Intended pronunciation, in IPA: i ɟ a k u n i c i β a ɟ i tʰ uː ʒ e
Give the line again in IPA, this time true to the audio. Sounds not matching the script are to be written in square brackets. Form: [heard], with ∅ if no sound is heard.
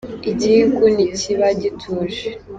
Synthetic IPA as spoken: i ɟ [i] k u n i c i β a ɟ i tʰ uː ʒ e